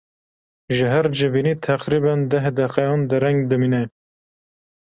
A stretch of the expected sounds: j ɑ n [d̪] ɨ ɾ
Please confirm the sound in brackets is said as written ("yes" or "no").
yes